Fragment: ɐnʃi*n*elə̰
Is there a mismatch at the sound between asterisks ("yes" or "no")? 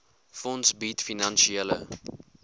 yes